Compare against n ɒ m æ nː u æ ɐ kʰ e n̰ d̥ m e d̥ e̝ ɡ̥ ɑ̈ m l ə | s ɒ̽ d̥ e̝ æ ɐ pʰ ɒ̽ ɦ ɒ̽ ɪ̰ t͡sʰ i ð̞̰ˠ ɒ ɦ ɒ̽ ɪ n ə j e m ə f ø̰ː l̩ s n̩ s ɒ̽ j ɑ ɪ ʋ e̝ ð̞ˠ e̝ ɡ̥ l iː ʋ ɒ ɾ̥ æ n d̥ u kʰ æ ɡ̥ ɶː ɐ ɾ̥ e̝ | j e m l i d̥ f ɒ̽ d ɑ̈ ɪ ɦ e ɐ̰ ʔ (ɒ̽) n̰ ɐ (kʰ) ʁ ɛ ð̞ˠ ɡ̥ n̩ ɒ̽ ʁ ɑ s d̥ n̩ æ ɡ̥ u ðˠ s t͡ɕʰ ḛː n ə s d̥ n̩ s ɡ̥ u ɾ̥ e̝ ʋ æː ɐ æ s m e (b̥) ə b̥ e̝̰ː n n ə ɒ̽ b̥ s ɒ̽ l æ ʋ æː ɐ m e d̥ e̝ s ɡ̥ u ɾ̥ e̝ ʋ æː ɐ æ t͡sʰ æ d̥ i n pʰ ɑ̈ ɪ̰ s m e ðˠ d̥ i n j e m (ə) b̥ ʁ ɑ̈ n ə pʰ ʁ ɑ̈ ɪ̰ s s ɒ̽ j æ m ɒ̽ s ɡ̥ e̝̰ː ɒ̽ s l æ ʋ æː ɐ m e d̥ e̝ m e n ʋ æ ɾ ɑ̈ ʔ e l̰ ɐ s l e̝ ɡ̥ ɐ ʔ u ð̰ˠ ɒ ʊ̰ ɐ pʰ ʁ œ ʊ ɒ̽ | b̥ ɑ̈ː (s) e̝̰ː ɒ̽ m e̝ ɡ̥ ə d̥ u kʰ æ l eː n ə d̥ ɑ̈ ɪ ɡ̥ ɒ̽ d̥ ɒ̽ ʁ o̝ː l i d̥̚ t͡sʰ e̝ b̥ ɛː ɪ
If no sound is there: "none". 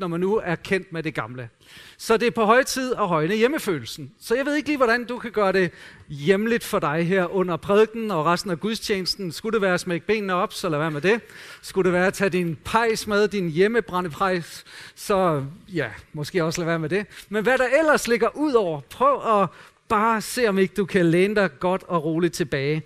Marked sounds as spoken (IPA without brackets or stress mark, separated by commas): ɔ̽, pʰ, ɡ̥, ə, s